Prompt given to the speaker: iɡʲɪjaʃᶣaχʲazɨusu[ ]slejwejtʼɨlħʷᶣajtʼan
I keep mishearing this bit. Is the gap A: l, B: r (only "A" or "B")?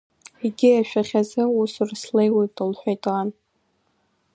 B